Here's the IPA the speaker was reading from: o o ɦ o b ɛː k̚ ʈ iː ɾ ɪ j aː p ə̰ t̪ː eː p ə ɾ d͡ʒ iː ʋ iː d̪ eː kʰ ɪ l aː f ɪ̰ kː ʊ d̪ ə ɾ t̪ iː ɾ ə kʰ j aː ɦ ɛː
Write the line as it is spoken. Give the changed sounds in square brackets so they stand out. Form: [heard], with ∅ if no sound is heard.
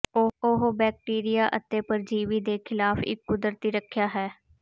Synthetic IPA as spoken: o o ɦ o b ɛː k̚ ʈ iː ɾ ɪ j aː [ʔ] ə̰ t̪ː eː p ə ɾ d͡ʒ iː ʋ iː d̪ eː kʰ ɪ l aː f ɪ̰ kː ʊ d̪ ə ɾ t̪ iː ɾ ə kʰ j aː ɦ ɛː